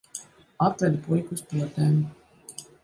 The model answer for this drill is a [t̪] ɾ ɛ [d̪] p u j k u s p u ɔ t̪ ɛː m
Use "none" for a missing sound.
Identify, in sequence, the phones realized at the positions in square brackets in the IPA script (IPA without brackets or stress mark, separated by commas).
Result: t̪, d̪